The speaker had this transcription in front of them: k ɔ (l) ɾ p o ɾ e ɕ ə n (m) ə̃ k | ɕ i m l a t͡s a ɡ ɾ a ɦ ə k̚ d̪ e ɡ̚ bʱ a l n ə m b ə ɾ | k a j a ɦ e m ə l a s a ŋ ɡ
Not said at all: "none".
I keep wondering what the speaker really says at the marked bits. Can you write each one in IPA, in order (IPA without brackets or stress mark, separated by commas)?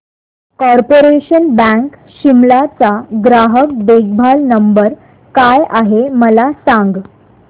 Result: none, b